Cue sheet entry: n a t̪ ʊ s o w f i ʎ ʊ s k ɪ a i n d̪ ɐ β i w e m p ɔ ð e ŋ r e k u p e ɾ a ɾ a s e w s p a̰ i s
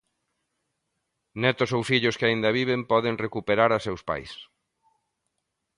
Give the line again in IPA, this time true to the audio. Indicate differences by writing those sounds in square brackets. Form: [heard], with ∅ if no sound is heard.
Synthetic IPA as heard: n [ɛ] t̪ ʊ s o w f i ʎ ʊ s k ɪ a i n d̪ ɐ β i [β] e m p ɔ ð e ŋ r e k u p e ɾ a ɾ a s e w s p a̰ [j] s